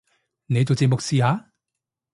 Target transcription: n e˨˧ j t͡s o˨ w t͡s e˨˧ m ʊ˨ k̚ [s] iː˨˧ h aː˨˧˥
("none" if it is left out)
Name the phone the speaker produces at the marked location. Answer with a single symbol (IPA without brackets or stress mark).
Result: s